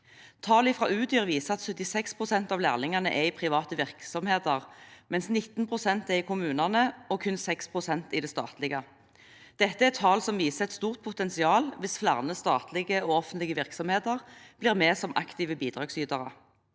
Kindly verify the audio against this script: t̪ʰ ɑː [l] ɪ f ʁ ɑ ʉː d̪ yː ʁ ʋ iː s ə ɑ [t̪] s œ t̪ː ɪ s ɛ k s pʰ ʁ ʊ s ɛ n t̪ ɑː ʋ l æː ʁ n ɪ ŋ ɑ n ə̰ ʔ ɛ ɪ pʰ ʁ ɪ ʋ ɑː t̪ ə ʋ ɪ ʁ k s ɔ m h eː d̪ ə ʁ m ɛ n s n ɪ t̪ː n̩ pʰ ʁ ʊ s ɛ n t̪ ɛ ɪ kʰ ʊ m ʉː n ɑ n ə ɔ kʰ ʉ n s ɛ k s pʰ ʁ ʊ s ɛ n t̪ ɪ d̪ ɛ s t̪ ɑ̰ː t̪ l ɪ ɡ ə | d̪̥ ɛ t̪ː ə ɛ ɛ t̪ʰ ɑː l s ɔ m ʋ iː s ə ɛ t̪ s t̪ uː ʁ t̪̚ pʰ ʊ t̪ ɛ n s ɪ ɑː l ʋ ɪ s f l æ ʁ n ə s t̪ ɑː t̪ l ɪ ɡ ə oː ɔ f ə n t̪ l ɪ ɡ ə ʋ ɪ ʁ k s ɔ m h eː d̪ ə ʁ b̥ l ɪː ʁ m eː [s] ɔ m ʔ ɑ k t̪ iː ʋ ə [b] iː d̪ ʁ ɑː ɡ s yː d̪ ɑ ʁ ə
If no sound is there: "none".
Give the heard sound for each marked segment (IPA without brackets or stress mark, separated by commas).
l, t̪, s, b